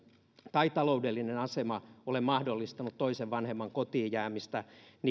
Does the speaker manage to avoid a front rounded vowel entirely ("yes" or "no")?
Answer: yes